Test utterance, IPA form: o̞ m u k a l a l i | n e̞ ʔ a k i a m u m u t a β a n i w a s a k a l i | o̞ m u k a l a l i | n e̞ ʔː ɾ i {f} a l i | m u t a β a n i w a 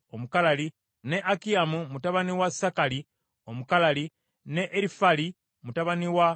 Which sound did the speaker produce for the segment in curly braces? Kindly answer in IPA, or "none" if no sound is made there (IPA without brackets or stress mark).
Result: f